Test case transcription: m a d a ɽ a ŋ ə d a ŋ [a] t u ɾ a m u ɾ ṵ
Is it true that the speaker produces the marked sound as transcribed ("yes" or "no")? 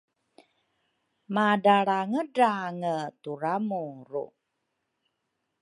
no